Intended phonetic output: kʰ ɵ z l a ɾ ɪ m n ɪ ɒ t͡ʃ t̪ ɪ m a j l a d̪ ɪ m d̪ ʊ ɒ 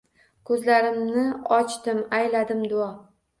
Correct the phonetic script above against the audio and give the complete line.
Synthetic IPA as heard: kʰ ɵ z l a ɾ ɪ m n ɪ ɒ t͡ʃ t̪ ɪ m a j l a d̪ ɪ m d̪ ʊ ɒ